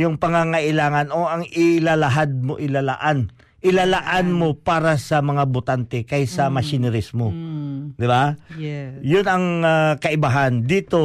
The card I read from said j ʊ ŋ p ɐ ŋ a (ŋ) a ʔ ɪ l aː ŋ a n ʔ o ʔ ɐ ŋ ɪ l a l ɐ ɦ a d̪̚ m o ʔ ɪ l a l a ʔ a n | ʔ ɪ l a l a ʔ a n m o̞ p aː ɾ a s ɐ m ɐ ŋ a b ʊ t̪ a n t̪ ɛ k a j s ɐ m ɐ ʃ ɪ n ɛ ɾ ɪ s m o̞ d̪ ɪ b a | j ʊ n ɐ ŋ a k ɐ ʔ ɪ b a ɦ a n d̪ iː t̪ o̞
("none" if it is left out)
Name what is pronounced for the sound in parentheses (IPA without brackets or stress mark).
ŋ